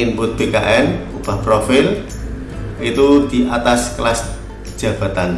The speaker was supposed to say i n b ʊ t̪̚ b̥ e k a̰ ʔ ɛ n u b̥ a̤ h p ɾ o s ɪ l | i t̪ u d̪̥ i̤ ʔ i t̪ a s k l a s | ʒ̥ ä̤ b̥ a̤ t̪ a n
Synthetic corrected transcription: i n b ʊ t̪̚ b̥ e k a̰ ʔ ɛ n u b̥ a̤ h p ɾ o f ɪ l | i t̪ u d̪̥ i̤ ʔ a t̪ a s k l a s | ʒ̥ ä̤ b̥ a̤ t̪ a n